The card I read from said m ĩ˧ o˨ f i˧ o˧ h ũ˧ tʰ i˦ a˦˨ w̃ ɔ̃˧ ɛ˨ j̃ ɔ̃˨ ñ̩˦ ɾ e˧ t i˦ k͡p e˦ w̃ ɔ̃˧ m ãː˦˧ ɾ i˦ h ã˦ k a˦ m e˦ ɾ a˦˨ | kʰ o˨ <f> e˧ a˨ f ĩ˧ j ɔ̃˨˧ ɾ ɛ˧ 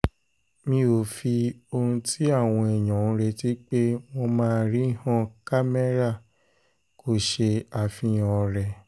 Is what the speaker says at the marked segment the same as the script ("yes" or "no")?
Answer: no